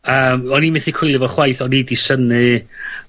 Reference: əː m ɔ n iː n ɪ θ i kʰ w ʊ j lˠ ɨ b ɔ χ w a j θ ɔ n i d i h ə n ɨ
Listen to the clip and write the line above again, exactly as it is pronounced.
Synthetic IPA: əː m ɔ n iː m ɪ θ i kʰ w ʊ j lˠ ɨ v ɔ χ w a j θ ɔ n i d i s ə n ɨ

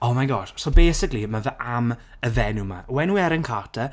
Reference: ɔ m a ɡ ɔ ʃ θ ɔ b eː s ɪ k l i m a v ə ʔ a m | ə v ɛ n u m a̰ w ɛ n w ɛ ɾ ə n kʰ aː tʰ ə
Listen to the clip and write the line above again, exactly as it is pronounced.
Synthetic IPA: ɔ m a ɡ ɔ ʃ s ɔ b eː s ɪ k l i m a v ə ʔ a m | ə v ɛ n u m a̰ w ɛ n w ɛ ɾ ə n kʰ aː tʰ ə

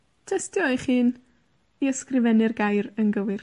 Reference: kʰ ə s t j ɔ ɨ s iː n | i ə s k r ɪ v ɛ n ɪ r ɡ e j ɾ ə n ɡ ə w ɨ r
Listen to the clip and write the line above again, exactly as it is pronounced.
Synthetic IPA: tʰ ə s t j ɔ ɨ χ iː n | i ə s k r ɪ v ɛ n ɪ r ɡ a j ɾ ə n ɡ ə w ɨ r

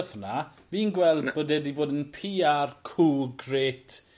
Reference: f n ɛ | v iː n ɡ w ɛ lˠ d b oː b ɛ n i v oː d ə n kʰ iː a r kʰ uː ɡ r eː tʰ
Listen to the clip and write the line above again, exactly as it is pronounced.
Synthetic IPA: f n a | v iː n ɡ w ɛ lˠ d b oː d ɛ d i b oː d ə n pʰ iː a r kʰ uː ɡ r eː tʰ

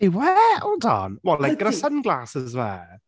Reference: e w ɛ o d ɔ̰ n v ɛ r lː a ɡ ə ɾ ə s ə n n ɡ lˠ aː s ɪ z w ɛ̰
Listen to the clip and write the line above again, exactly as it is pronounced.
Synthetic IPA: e w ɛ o d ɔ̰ n w ɛ l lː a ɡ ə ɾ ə s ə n n ɡ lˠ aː s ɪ z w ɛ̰

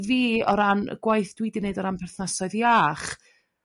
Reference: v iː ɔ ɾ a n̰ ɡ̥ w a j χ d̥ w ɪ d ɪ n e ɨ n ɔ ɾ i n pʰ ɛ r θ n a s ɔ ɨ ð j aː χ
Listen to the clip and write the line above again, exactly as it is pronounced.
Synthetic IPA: v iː ɔ ɾ a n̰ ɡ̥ w a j θ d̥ w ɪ d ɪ n e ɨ d ɔ ɾ a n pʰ ɛ r θ n a s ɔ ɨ ð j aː χ

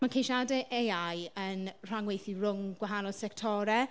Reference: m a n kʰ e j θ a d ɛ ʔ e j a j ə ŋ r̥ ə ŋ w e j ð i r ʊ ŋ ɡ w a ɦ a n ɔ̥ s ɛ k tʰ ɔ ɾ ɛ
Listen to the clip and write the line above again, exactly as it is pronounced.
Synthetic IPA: m a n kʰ e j ʃ a d ɛ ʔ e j a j ə n r̥ a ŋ w e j θ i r ʊ ŋ ɡ w a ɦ a n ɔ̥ s ɛ k tʰ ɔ ɾ ɛ

